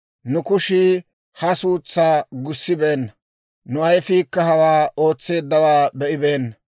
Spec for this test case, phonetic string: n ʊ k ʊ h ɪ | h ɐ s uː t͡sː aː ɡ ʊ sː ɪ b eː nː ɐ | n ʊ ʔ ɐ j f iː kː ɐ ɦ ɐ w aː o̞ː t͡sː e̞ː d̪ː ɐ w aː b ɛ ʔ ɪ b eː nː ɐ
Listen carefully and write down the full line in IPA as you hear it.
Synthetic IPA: n ʊ k ʊ ʃ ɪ | h ɐ s uː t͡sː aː ɡ ʊ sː ɪ b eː nː ɐ | n ʊ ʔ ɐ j f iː kː ɐ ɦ ɐ w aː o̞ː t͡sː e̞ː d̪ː ɐ w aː b ɛ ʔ ɪ b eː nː ɐ